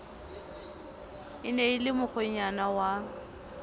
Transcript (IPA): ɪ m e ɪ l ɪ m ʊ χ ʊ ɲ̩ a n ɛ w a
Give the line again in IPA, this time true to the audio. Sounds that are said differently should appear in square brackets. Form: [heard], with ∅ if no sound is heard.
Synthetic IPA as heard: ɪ [n] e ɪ l ɪ m ʊ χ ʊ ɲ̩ a n [a] w a